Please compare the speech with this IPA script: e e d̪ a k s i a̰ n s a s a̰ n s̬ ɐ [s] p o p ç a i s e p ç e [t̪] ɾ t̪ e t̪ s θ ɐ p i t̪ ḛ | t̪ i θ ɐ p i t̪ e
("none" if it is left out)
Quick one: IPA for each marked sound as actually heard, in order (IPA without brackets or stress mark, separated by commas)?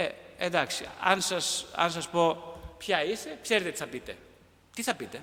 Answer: s, none